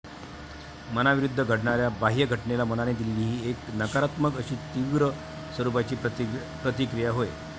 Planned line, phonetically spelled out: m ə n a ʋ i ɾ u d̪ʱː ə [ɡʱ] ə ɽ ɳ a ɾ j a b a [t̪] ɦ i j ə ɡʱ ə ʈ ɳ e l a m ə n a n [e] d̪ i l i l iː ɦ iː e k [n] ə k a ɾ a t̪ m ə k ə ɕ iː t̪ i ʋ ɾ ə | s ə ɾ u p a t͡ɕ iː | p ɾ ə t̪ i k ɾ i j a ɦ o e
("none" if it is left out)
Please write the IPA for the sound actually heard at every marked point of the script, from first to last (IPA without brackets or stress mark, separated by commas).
ɡʱ, none, e, n